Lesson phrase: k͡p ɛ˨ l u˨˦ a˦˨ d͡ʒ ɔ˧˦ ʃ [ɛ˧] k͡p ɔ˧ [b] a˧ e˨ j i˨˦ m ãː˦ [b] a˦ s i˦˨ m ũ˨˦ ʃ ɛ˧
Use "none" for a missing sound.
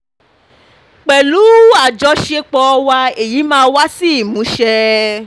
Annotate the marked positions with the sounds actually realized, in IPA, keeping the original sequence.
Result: e˧, w, w

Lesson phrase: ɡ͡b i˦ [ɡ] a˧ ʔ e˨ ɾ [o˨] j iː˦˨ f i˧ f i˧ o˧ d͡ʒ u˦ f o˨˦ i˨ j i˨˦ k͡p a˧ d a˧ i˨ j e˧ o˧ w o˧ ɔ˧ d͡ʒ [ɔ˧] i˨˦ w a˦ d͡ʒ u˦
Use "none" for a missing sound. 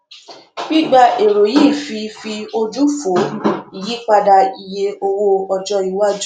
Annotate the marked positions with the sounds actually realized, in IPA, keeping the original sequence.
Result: ɡ͡b, o˨, ɔ˧

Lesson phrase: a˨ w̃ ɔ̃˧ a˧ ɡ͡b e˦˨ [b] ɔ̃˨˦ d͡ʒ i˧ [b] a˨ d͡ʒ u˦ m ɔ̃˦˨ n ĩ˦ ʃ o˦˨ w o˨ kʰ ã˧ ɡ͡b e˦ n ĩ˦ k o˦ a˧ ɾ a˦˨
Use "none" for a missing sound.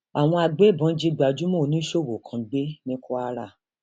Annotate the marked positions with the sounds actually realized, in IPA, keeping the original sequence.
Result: b, ɡ͡b

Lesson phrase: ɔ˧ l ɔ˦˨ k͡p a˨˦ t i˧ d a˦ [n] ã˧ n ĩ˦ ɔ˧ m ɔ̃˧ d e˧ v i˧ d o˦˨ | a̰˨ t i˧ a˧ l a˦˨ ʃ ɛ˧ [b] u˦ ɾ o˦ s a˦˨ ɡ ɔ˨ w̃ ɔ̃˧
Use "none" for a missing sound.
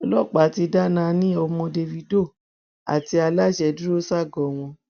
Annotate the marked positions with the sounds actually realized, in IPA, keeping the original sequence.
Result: n, d

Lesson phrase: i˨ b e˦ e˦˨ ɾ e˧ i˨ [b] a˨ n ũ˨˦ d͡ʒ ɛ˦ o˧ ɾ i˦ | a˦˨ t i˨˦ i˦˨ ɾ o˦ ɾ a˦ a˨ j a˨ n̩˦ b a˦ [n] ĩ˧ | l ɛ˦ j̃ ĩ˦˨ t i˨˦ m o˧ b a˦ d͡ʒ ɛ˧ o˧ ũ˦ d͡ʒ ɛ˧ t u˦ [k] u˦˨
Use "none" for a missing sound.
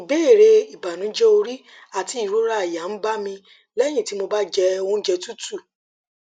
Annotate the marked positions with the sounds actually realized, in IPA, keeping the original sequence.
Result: b, m, t

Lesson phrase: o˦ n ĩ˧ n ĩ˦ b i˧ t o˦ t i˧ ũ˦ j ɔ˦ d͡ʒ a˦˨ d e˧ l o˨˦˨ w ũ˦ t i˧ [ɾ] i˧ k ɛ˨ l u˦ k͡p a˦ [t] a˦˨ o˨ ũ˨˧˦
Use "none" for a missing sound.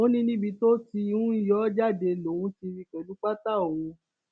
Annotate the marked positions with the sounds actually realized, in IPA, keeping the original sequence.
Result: ɾ, t

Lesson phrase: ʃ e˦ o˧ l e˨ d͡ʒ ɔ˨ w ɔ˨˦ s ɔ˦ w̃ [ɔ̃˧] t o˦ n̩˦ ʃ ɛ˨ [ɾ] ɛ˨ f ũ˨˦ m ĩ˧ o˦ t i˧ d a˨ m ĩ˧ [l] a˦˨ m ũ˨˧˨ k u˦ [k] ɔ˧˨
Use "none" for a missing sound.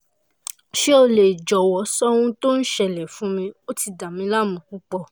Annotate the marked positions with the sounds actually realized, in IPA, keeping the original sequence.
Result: ũ˧, l, l, k͡p

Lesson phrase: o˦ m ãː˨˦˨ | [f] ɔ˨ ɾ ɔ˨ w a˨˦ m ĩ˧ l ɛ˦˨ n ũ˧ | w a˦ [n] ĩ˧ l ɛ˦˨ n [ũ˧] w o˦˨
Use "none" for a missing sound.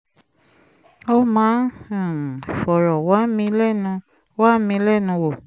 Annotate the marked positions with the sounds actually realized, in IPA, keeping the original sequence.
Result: f, m, ũ˧

